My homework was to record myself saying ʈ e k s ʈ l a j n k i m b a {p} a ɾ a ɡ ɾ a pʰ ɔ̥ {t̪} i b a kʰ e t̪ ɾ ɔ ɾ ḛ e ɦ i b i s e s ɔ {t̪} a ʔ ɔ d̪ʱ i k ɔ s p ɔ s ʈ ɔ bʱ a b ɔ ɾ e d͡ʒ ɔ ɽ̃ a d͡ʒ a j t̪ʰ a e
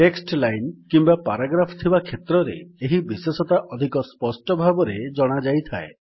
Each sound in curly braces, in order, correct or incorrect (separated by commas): correct, incorrect, correct